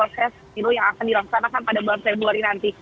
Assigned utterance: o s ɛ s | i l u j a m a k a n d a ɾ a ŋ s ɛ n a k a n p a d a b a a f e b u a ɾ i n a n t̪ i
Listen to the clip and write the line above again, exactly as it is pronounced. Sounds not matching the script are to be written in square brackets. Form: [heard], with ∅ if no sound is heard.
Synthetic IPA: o s ɛ s | i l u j a [ŋ] a k a n d [i] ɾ a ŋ s [a] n a k a n p a d a b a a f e b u a ɾ i n a n t̪ i

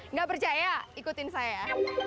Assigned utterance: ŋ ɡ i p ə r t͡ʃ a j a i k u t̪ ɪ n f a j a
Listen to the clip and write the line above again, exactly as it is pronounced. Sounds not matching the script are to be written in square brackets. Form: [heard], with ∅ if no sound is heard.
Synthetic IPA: ŋ ɡ [a] p ə r t͡ʃ a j a i k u t̪ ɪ n [s] a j a

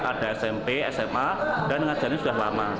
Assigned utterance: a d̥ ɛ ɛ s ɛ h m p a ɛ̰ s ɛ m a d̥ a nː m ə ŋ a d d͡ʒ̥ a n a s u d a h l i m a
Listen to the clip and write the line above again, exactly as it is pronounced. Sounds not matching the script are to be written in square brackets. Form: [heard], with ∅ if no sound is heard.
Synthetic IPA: a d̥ [a] ɛ s ɛ [∅] m p [e] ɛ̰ s ɛ m a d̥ a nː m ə ŋ a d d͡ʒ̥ a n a s u d a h l [a] m a

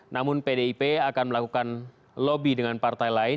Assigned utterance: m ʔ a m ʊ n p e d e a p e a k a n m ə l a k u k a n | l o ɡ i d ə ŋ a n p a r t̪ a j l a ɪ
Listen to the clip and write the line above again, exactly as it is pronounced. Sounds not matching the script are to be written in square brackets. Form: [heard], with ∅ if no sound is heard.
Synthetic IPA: [n] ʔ a m ʊ n p e d e [i] p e a k a n m ə l a k u k a n | l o [b] i d ə ŋ a n p a r t̪ a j l a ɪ

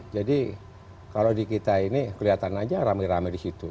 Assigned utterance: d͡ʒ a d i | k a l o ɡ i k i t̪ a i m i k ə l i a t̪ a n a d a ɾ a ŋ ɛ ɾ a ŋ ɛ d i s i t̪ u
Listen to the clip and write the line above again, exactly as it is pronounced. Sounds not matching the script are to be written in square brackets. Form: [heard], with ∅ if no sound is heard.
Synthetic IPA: d͡ʒ a d i | k a l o [d] i k i t̪ a i [n] i k ə l i a t̪ a n a [d͡ʒ] a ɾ a [m] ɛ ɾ a [m] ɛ d i s i t̪ u

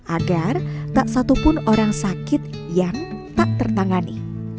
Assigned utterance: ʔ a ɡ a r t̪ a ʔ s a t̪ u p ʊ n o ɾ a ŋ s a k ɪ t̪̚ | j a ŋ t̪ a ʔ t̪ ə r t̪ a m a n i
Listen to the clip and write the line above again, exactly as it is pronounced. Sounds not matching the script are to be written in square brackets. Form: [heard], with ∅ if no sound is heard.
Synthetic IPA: ʔ a ɡ a r t̪ a ʔ s a t̪ u p ʊ n o ɾ a ŋ s a k ɪ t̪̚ | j a ŋ t̪ a ʔ t̪ ə r t̪ a [ŋ] a n i

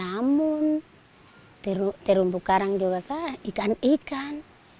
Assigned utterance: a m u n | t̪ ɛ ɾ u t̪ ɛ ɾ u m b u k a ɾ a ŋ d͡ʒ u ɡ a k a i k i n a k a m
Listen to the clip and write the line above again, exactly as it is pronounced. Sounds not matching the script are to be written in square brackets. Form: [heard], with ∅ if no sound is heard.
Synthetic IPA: a m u n | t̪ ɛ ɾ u t̪ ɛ ɾ u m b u k a ɾ a ŋ d͡ʒ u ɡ a k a i k [a] n [i] k a [n]

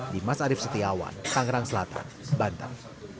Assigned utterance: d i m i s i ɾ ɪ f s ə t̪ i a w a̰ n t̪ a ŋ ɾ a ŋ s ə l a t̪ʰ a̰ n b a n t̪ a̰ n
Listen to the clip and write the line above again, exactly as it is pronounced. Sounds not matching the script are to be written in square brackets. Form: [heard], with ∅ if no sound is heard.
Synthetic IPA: d i m [a] s [a] ɾ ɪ f s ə t̪ i a w a̰ n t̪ a ŋ ɾ a ŋ s ə l a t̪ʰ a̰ n b a n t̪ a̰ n

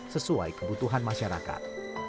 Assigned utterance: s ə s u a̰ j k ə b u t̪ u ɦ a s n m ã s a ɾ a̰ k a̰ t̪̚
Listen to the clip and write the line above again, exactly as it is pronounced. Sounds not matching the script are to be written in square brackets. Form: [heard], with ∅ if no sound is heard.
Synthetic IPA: s ə s u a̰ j k ə b u t̪ u ɦ a [∅] n m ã [ʃ] a ɾ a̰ k a̰ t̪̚

